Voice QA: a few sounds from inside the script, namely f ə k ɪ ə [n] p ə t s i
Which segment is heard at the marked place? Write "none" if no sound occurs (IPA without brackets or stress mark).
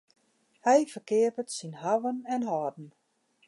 none